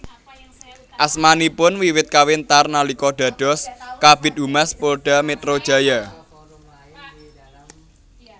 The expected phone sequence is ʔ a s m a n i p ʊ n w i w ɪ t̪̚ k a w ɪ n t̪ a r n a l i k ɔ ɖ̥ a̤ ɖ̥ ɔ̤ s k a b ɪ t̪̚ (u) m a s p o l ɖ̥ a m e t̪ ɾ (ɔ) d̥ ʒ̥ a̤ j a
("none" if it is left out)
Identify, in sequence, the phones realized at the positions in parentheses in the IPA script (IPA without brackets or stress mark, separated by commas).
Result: u, o